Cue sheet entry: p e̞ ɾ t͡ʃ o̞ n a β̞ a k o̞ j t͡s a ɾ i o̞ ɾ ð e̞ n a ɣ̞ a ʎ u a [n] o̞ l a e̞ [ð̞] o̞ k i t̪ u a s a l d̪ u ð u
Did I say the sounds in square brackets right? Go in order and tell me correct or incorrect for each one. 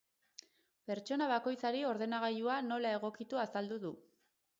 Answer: correct, incorrect: ɣ̞

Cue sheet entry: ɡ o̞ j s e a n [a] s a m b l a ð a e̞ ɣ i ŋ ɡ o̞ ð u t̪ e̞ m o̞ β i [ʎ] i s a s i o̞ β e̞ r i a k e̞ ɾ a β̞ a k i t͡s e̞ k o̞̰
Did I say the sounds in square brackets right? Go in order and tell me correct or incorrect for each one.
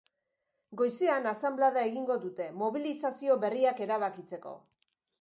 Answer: correct, incorrect: l

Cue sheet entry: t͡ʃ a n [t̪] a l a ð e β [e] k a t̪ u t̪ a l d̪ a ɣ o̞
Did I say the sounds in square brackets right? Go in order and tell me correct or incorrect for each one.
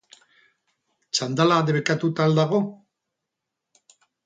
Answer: incorrect: d̪, correct

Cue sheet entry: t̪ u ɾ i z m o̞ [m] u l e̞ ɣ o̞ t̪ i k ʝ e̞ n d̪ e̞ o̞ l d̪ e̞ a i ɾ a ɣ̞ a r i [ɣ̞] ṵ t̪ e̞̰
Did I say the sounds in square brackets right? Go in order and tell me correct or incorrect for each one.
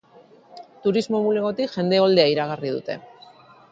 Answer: correct, incorrect: ð̞

